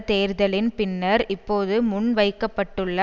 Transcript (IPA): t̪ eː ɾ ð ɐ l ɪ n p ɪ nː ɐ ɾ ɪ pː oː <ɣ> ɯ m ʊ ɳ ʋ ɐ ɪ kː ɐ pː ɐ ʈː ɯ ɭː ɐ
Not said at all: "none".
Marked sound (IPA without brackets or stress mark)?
ð